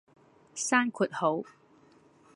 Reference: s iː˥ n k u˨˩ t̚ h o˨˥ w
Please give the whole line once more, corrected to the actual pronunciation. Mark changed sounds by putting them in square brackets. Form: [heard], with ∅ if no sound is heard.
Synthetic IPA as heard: s [aː˥] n [kʰ] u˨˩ t̚ h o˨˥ w